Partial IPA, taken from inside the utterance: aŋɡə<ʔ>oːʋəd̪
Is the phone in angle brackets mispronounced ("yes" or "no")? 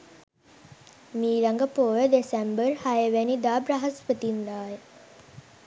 yes